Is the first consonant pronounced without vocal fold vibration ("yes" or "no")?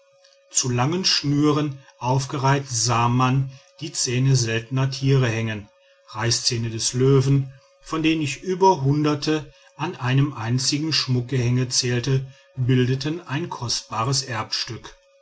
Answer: yes